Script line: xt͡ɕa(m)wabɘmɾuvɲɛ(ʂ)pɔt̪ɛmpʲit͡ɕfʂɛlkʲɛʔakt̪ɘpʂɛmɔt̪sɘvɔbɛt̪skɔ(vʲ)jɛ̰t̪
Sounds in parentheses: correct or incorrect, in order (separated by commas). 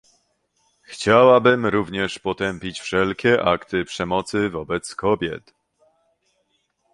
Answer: incorrect, correct, incorrect